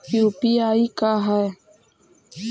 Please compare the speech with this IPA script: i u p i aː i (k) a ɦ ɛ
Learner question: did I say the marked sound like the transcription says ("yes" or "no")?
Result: yes